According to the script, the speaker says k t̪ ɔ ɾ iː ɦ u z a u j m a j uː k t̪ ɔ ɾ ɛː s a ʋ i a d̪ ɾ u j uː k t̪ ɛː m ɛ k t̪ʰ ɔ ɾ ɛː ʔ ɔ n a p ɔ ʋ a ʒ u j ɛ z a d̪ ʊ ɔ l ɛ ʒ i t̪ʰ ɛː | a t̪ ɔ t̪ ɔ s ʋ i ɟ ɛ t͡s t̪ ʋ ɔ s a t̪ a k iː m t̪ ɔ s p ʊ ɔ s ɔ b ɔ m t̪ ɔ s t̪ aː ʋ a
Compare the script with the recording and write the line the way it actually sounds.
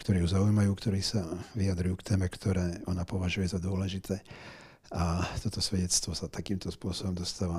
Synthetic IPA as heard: k t̪ ɔ ɾ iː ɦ u z a u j m a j uː k t̪ ɔ ɾ iː s a ʋ i a d̪ ɾ u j uː k t̪ ɛː m ɛ k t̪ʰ ɔ ɾ ɛː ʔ ɔ n a p ɔ ʋ a ʒ u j ɛ z a d̪ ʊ ɔ l ɛ ʒ i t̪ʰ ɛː | a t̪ ɔ t̪ ɔ s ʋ ɛ ɟ ɛ t͡s t̪ ʋ ɔ s a t̪ a k iː m t̪ ɔ s p ʊ ɔ s ɔ b ɔ m d̪ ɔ s t̪ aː ʋ a